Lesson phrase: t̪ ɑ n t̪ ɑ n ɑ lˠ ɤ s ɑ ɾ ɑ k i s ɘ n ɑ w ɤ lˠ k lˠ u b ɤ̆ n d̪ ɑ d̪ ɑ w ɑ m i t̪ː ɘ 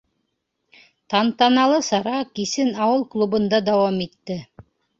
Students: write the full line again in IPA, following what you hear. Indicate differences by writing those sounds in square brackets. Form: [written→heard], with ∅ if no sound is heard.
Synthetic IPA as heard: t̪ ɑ n t̪ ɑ n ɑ lˠ ɤ s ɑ ɾ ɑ k i s ɘ n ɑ w ɤ lˠ k lˠ u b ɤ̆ n d̪ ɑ d̪ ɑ w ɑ m i t̪ː ɘ

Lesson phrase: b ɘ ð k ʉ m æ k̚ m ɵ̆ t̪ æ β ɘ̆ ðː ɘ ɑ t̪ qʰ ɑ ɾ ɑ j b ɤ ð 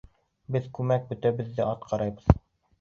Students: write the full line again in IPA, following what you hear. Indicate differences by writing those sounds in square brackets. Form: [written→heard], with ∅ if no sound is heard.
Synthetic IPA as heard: b ɘ ð k ʉ m æ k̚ [m→b] ɵ̆ t̪ æ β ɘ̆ ðː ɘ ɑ t̪ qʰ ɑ ɾ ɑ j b ɤ ð

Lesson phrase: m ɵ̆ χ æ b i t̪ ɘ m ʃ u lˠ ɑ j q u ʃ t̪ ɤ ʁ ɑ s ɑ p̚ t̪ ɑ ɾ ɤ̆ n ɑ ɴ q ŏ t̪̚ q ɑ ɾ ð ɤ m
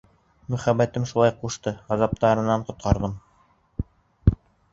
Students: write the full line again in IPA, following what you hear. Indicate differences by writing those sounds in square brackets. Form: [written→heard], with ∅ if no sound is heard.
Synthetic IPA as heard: m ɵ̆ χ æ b [i→æ] t̪ ɘ m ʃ u lˠ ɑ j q u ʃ t̪ ɤ ʁ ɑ [s→z] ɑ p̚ t̪ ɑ ɾ ɤ̆ n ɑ ɴ q ŏ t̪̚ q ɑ ɾ ð ɤ m

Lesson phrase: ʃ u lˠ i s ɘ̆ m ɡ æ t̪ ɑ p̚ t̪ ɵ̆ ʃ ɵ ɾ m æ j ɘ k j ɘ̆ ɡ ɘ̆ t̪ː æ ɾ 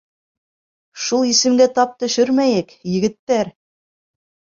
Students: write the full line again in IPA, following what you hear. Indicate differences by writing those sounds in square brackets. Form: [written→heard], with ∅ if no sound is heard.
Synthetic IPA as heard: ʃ u lˠ i s ɘ̆ m ɡ æ t̪ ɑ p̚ t̪ ɵ̆ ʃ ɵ ɾ m æ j ɘ k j ɘ̆ ɡ ɘ̆ t̪ː æ ɾ

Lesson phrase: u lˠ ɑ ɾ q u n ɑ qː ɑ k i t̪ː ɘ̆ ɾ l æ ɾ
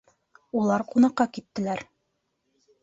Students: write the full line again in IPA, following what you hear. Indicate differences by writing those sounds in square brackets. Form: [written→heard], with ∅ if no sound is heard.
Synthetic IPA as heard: u lˠ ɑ ɾ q u n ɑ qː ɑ k i t̪ː ɘ̆ [ɾ→∅] l æ ɾ

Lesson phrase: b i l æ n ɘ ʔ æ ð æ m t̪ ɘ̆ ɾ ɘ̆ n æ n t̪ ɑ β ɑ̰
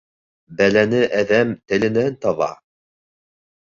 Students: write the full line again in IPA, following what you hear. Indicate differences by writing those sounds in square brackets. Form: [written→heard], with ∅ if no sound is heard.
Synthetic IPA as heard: b [i→æ] l æ n ɘ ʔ æ ð æ m t̪ ɘ̆ [ɾ→l] ɘ̆ n æ n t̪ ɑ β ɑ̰

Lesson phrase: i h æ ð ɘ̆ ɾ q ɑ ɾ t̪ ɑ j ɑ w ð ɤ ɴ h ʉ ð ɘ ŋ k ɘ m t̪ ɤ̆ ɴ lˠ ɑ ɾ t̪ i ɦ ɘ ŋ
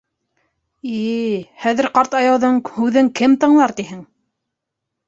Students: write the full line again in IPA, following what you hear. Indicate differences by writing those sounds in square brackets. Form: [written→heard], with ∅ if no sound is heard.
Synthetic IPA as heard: i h æ ð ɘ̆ ɾ q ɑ ɾ t̪ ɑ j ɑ w ð ɤ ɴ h ʉ ð ɘ ŋ k ɘ m t̪ ɤ̆ ɴ lˠ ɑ ɾ t̪ i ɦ ɘ ŋ

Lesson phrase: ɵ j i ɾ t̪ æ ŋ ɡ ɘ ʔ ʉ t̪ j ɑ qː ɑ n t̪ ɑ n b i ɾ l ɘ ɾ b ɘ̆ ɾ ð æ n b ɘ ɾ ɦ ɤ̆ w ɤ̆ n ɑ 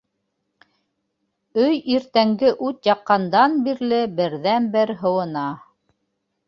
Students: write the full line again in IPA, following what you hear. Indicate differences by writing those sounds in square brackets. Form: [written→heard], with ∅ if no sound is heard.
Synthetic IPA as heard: ɵ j i ɾ t̪ æ ŋ ɡ ɘ ʔ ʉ t̪ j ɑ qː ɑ n [t̪→d̪] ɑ n b i ɾ l ɘ [ɾ→∅] b ɘ̆ ɾ ð æ n b ɘ ɾ ɦ ɤ̆ w ɤ̆ n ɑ

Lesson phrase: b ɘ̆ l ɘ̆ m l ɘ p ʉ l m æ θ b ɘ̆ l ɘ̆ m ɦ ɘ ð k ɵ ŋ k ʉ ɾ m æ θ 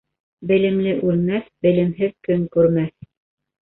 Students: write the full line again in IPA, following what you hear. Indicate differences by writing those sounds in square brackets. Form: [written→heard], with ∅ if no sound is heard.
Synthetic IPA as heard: b ɘ̆ l ɘ̆ m l ɘ [p→ʔ] ʉ l m æ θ b ɘ̆ l ɘ̆ m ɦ ɘ ð k ɵ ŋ k ʉ ɾ m æ θ

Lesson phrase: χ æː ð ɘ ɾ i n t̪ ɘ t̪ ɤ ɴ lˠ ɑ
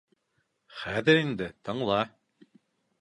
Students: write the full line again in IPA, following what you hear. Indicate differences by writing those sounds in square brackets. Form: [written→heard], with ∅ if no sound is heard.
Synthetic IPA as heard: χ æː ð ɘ ɾ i n [t̪→d̪] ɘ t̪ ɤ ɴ lˠ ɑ

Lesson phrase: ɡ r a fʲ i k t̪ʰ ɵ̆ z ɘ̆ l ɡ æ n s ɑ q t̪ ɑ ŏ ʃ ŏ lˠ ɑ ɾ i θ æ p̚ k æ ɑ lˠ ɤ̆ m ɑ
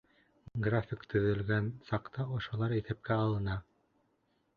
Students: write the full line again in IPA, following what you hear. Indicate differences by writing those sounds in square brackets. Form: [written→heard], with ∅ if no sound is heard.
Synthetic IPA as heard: ɡ r a fʲ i k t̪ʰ ɵ̆ [z→ð] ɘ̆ l ɡ æ n s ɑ q t̪ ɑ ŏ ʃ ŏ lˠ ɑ ɾ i θ æ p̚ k æ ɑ lˠ ɤ̆ [m→n] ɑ

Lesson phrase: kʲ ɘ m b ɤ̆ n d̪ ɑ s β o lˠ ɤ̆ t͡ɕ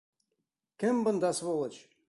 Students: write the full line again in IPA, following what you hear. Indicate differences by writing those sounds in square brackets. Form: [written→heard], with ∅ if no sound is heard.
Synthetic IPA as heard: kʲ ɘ m b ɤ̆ n d̪ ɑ s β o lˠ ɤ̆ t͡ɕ

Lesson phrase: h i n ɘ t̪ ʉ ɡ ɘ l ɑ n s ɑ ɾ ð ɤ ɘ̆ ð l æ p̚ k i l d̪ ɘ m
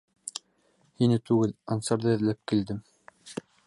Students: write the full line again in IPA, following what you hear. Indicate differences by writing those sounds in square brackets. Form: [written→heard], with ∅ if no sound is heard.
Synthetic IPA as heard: h i n ɘ t̪ ʉ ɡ ɘ l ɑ n s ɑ ɾ ð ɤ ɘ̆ ð l æ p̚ k i l d̪ ɘ m

